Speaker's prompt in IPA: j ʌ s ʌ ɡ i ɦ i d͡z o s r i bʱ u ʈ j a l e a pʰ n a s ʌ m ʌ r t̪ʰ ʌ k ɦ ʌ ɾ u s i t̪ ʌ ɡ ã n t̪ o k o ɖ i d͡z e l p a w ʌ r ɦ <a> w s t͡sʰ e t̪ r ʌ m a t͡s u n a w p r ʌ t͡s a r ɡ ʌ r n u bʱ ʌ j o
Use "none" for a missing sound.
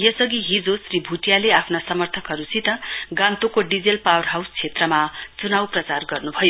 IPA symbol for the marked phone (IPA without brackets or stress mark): a